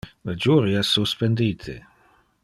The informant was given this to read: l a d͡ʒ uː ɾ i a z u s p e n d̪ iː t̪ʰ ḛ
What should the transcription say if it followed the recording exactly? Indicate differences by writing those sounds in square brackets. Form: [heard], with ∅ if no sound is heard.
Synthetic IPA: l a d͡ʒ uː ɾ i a [s] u s p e n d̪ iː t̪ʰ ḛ